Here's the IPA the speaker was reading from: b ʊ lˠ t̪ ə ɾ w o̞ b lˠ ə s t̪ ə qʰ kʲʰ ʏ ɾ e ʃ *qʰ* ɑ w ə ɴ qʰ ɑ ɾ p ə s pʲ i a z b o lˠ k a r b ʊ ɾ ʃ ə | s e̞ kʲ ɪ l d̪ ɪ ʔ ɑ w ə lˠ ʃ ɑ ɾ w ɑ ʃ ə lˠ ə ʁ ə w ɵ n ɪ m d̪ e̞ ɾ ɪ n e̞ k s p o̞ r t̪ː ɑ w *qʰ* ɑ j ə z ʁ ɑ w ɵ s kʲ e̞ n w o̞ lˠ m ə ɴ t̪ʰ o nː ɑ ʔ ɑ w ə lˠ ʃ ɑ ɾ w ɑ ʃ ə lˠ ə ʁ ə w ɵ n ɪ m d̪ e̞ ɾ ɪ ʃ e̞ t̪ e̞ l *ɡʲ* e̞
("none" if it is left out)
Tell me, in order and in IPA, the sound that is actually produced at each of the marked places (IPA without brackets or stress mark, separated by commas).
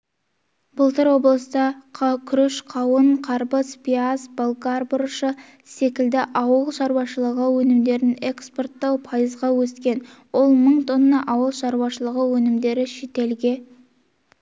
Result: qʰ, pʰ, ɡʲ